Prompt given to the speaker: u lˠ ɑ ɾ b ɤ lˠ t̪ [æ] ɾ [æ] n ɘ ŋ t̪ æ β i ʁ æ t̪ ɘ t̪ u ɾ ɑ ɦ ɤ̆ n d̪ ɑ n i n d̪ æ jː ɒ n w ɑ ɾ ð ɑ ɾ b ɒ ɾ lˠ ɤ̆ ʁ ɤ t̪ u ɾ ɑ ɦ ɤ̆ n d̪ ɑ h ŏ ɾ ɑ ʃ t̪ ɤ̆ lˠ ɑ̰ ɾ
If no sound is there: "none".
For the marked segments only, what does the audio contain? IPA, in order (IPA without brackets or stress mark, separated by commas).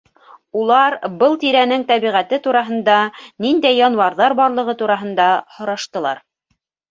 i, æ